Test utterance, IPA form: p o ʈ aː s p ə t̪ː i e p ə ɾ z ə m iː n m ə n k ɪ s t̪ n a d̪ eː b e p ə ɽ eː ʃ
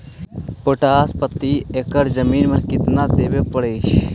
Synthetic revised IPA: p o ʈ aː s p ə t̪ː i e k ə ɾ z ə m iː n m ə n k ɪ t̪ n a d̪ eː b e p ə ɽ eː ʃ

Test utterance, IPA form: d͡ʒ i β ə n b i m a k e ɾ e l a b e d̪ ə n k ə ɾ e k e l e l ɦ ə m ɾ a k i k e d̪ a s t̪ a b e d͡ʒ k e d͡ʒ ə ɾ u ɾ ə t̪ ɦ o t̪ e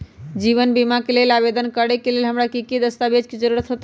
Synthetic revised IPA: d͡ʒ i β ə n b i m a k e l e l a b e d̪ ə n k ə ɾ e k e l e l ɦ ə m ɾ a k i k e d̪ ə s t̪ a b e d͡ʒ k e d͡ʒ ə ɾ u ɾ ə t̪ ɦ o t̪ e

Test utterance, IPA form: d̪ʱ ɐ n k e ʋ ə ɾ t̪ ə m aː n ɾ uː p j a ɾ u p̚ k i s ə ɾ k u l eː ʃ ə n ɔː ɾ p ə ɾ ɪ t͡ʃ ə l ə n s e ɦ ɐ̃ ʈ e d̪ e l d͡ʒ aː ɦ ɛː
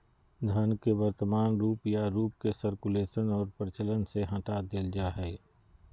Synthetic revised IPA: d̪ʱ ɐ n k e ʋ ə ɾ t̪ ə m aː n ɾ uː p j a ɾ uː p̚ k e s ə ɾ k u l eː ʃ ə n ɔː ɾ p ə ɾ ɪ t͡ʃ ə l ə n s e ɦ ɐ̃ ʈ a d̪ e l d͡ʒ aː ɦ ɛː

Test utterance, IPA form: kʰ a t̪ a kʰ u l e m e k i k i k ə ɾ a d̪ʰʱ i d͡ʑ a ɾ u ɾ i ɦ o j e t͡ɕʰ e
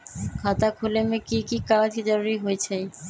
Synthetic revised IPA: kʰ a t̪ a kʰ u l e m e k i k i k a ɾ a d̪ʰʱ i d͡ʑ a ɾ u ɾ i ɦ o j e t͡ɕʰ e

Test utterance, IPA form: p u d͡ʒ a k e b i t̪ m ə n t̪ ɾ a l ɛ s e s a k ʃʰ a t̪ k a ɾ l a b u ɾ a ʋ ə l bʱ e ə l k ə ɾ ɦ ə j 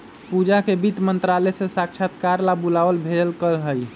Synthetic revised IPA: p u d͡ʒ a k e b i t̪ m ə n t̪ ɾ a l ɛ s e s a k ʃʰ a t̪ k a ɾ l a b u l a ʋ ə l bʱ e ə l k ə l ɦ ə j

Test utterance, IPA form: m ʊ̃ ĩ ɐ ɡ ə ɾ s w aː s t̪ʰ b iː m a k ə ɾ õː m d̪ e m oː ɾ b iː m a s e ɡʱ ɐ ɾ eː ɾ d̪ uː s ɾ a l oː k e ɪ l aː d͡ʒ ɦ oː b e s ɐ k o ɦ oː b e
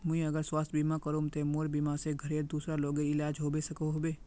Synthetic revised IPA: m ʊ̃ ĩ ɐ ɡ ə ɾ s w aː s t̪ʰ b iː m a k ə ɾ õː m t̪ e m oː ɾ b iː m a s e ɡʱ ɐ ɾ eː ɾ d̪ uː s ɾ a l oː ɡ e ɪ l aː d͡ʒ ɦ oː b e s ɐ k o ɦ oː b e

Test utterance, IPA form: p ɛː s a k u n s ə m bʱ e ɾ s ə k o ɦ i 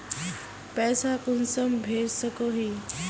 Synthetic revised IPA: p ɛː s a k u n s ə m bʱ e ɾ s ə k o ɦ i

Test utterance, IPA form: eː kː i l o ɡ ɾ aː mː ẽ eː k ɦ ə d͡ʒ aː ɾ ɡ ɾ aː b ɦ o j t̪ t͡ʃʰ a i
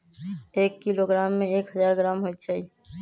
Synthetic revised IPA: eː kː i l o ɡ ɾ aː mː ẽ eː k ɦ ə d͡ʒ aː ɾ ɡ ɾ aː m ɦ o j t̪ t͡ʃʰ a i

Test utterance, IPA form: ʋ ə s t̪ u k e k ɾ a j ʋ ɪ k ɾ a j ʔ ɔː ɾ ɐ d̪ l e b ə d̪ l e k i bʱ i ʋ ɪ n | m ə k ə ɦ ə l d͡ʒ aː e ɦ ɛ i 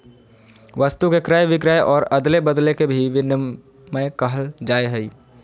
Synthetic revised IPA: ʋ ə s t̪ u k e k ɾ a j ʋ ɪ k ɾ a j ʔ ɔː ɾ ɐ d̪ l e b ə d̪ l e k e bʱ i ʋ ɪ n | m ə k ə ɦ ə l d͡ʒ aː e ɦ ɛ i

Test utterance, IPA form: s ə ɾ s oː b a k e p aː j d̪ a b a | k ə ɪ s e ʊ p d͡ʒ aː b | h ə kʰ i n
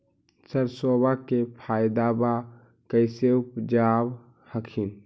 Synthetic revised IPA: s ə ɾ s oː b a k e pʰ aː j d̪ a b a | k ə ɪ s e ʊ p d͡ʒ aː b | h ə kʰ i n

